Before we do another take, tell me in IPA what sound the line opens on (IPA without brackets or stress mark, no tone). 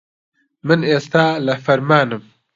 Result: m